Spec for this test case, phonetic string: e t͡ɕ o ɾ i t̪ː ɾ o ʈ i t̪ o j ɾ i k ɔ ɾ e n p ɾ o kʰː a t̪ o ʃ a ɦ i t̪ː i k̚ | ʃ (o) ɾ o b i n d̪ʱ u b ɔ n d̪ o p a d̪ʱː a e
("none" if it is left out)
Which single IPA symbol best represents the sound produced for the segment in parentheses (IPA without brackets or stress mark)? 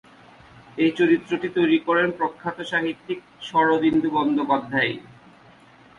ɔ